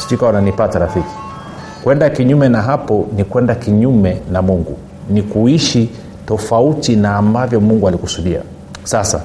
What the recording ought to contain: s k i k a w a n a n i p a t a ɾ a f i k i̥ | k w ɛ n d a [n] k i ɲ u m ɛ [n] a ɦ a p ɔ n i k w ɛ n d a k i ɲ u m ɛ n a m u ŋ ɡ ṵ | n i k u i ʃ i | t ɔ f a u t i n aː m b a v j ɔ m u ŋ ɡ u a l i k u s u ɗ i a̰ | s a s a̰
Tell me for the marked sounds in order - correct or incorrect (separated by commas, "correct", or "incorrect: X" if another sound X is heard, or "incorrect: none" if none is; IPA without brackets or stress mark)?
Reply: incorrect: none, correct